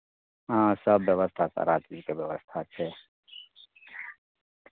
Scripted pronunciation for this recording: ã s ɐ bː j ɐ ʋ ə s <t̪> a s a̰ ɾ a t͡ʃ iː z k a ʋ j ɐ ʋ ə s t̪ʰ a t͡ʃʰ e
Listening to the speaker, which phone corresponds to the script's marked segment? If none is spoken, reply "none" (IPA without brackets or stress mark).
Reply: t̪ʰ